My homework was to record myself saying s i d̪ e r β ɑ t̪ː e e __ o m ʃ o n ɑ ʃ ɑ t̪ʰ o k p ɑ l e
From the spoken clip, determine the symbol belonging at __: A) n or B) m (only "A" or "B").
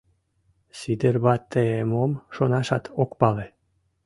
B